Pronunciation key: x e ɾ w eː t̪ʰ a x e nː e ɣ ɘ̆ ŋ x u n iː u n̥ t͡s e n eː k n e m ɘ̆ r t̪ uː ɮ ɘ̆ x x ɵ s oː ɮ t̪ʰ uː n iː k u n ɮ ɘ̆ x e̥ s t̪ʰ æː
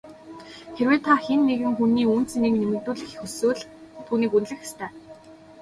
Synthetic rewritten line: x e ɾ w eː t̪ʰ a x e nː e ɣ ɘ̆ ŋ x u n iː u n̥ t͡s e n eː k n e m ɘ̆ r t̪ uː ɮ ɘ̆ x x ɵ s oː ɮ t̪ʰ uː n iː k u n ɮ ɘ̆ x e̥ s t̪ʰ æː